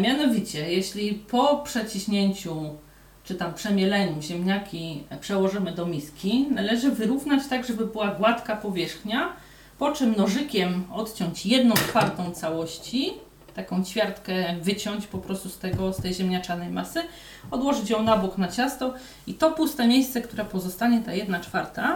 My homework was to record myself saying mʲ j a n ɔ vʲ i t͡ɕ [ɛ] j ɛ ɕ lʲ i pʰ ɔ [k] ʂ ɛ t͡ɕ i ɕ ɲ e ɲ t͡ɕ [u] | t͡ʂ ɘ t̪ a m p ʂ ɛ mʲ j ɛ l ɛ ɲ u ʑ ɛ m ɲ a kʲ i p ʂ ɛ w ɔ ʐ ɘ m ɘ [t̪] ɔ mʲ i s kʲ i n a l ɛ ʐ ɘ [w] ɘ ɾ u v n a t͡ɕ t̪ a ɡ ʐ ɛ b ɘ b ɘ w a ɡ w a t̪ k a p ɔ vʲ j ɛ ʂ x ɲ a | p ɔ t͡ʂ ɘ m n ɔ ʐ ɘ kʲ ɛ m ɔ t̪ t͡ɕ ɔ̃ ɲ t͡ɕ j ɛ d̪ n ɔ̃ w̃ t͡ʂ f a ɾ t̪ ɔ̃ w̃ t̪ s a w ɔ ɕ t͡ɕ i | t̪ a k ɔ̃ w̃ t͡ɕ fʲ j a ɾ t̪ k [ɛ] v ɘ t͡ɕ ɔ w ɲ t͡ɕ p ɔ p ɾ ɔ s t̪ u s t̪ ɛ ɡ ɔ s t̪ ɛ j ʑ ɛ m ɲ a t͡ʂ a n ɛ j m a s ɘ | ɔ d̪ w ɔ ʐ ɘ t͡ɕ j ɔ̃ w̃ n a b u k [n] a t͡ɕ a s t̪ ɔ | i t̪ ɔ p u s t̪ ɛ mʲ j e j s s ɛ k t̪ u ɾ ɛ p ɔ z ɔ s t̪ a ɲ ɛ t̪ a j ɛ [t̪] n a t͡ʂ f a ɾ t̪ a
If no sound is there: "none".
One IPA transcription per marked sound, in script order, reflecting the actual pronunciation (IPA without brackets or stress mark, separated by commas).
ɛ, p, u, d̪, v, ɛ, n, d̪